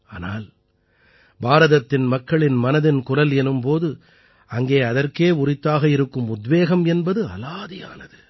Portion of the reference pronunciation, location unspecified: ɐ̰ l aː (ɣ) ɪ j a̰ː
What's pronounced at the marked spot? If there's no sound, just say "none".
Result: ð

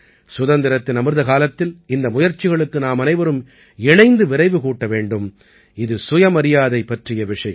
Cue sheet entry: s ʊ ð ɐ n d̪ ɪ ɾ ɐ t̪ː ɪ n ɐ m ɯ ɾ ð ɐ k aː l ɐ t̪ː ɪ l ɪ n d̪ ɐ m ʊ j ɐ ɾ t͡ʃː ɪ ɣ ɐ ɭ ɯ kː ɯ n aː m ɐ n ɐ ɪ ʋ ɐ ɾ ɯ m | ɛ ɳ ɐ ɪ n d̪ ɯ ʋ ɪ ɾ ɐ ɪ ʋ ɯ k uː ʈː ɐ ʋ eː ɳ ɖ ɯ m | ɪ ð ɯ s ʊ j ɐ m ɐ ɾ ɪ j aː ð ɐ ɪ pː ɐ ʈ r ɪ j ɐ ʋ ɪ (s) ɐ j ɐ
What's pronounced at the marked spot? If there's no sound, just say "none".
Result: ʂ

